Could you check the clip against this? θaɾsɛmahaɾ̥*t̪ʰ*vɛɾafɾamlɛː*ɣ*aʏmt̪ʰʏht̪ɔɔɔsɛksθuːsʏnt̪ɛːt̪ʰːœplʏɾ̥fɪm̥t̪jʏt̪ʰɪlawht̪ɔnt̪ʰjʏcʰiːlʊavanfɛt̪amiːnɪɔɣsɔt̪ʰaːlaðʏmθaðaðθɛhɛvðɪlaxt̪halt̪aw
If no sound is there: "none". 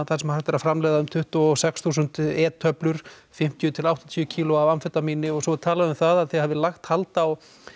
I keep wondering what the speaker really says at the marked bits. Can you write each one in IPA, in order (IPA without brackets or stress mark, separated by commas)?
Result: t̪, ð